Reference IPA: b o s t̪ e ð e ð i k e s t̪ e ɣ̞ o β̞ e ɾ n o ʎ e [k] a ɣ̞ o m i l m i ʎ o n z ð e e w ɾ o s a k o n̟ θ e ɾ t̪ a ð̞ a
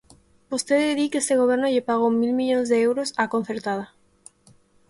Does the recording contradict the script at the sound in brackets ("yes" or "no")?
yes